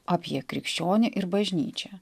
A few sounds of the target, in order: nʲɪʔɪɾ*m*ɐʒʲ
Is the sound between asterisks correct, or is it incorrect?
incorrect